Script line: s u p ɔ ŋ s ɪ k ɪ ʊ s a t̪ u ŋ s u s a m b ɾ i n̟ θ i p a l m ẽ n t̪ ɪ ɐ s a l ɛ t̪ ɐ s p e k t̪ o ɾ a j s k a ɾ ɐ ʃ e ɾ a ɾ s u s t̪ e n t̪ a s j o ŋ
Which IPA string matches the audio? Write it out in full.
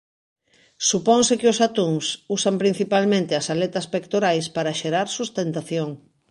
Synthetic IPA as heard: s u p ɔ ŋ s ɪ k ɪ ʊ s a t̪ u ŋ s u s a m p ɾ i n̟ θ i p a l m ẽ n t̪ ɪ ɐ s a l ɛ t̪ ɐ s p e k t̪ o ɾ a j s p a ɾ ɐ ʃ e ɾ a ɾ s u s t̪ e n t̪ a θ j o ŋ